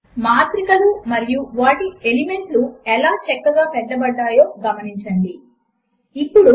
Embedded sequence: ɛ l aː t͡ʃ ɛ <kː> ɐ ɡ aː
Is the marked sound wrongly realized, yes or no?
no